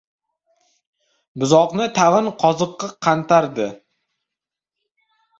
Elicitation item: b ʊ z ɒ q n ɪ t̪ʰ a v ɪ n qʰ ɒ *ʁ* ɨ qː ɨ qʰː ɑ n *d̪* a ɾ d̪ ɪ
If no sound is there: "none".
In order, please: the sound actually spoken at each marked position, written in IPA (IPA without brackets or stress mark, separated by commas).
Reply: z, t̪